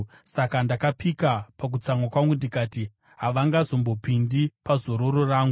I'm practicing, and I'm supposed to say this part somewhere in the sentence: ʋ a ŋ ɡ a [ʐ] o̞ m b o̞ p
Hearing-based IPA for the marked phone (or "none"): z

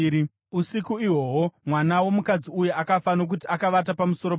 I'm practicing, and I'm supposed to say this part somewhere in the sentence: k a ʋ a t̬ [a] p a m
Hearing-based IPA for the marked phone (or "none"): a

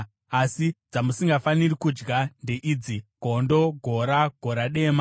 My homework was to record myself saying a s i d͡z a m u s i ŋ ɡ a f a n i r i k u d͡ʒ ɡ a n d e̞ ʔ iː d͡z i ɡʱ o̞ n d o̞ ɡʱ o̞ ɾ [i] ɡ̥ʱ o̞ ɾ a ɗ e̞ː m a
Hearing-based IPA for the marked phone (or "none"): a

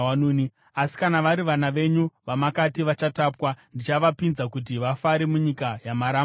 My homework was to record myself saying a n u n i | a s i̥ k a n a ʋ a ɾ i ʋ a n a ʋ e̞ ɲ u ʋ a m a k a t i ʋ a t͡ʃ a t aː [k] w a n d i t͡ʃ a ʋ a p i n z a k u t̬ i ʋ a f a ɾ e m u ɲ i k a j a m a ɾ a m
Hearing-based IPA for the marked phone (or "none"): p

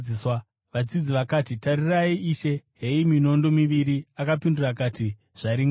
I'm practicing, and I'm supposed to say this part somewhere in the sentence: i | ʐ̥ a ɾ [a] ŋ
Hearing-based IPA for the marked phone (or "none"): i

